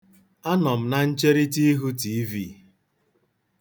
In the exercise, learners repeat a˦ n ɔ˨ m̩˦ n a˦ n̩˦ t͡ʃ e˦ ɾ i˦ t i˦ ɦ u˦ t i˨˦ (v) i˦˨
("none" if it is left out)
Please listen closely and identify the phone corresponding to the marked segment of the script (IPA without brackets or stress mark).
v